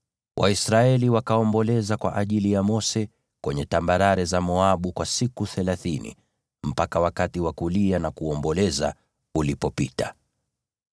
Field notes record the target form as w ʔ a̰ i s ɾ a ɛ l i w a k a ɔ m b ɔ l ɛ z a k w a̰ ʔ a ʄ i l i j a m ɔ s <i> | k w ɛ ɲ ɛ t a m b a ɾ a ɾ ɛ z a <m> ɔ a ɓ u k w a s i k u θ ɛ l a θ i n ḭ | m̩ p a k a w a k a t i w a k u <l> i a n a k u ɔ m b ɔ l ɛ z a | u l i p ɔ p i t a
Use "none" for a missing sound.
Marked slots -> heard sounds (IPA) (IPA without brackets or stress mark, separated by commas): ɛ, m, l